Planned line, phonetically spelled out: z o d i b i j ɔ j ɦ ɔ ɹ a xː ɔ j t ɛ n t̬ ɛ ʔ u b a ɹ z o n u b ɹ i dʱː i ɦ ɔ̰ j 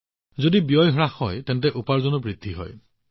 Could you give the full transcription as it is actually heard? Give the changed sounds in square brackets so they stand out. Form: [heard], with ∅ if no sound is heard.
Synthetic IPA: z o d i b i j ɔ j ɦ ɔ ɹ a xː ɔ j t ɛ n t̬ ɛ ʔ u [p] a ɹ z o n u b ɹ i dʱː i ɦ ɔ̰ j